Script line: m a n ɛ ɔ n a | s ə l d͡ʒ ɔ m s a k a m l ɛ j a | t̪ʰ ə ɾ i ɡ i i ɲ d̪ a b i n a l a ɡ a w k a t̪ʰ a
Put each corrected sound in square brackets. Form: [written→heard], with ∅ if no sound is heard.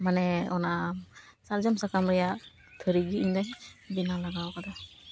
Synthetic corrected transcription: m a n ɛ ɔ n a | s [ə→a] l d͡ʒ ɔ m s a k a m [l→ɾ] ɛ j a | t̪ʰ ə ɾ i ɡ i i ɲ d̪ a b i n a l a ɡ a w k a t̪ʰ a